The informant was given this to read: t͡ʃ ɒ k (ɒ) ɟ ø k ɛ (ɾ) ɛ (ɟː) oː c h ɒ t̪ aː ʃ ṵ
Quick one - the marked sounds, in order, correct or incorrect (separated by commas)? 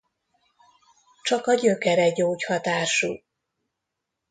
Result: correct, correct, incorrect